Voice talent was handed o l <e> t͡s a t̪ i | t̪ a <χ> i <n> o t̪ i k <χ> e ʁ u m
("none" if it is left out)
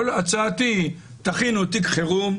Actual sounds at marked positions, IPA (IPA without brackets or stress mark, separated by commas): a, χ, n, χ